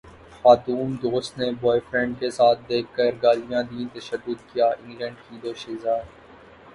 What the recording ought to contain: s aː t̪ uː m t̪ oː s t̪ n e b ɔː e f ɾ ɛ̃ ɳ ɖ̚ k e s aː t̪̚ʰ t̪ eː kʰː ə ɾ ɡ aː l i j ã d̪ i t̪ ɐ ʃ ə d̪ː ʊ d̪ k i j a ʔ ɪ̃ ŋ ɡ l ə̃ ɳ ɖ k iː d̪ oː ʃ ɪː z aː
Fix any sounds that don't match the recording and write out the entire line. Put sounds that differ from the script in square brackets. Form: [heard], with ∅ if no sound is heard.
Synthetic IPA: [x] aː t̪ uː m [d̪] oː s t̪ n e b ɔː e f ɾ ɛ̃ ɳ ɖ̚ k e s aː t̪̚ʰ [d̪] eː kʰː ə ɾ ɡ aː l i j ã d̪ i t̪ ɐ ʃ ə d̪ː ʊ d̪ k i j a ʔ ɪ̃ ŋ ɡ l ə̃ ɳ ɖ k iː d̪ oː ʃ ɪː z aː